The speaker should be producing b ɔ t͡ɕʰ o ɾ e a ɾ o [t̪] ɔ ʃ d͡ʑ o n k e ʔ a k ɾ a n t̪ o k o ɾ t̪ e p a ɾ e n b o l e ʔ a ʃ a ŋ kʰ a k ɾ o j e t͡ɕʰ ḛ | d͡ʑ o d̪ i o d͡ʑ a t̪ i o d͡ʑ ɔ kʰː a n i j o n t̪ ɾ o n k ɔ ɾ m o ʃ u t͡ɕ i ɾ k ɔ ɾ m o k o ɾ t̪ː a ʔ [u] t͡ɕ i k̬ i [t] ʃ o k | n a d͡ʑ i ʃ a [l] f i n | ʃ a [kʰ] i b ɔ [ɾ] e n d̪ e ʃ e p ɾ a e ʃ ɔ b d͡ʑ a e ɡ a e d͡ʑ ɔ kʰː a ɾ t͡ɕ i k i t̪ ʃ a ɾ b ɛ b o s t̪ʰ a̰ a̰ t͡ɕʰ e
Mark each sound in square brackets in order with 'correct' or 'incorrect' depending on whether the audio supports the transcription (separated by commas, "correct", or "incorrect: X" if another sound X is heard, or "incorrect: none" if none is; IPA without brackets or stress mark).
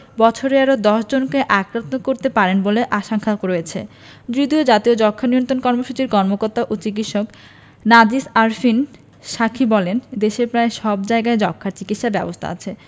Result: incorrect: d̪, incorrect: o, correct, incorrect: ɾ, correct, incorrect: l